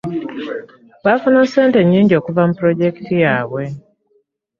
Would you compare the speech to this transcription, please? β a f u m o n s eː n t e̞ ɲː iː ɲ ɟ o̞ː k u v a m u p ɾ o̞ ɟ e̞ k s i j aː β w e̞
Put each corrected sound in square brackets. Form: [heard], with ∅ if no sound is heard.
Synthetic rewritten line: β a f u [n] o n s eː n t e̞ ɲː iː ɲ ɟ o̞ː k u v a m u p ɾ o̞ ɟ e̞ k [t] i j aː β w e̞